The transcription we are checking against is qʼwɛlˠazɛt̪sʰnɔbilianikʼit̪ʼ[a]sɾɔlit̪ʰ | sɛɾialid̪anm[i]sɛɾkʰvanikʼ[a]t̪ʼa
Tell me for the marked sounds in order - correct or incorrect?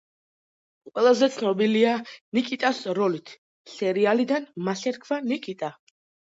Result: correct, incorrect: a, incorrect: i

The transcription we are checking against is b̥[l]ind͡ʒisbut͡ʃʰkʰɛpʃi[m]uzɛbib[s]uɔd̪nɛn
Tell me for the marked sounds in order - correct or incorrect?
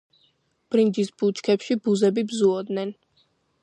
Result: incorrect: ɾ, incorrect: b, incorrect: z

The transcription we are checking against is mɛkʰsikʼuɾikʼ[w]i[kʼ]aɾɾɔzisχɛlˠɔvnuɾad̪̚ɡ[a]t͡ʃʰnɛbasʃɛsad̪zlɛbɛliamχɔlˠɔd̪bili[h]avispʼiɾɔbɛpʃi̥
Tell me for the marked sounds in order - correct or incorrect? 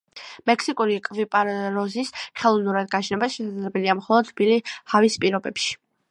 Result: incorrect: v, incorrect: pʼ, correct, correct

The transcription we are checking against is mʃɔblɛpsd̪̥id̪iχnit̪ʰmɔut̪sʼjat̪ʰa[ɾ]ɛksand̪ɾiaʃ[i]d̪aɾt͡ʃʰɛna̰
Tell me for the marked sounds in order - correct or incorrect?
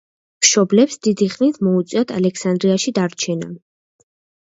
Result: incorrect: l, correct

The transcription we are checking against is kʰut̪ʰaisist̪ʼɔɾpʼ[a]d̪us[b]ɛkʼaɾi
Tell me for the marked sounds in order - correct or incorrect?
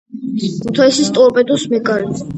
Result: incorrect: ɛ, incorrect: m

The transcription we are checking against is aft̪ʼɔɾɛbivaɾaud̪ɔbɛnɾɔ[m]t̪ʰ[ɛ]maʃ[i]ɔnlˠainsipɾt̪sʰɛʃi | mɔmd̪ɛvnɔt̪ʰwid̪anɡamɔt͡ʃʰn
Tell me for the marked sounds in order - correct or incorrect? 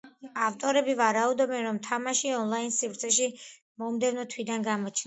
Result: correct, incorrect: a, correct

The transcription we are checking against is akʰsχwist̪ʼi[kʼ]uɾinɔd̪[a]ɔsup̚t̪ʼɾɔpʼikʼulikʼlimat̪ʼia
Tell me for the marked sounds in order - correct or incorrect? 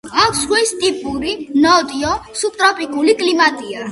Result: incorrect: pʼ, incorrect: i

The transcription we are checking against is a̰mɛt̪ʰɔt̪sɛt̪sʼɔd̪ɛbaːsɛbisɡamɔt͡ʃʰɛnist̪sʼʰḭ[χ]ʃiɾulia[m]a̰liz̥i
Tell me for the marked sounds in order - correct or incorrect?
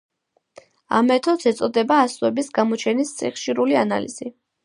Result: correct, incorrect: n

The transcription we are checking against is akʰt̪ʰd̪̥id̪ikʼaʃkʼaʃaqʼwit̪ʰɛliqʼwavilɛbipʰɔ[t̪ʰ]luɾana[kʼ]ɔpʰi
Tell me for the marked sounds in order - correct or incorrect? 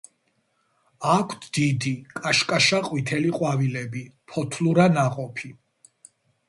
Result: correct, incorrect: qʼ

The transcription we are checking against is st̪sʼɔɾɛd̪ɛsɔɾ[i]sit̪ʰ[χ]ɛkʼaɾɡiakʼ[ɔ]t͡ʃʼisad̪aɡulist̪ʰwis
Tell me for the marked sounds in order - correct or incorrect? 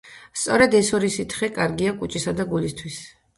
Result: correct, correct, incorrect: u

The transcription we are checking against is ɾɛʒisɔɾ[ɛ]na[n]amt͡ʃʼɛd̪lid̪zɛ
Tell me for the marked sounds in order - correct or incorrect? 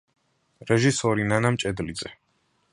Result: incorrect: i, correct

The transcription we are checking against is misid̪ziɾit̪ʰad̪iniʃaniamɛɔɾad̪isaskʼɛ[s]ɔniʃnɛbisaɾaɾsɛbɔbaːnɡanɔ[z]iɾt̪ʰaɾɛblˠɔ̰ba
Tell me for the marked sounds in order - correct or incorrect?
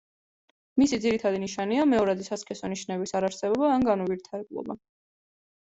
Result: correct, incorrect: v

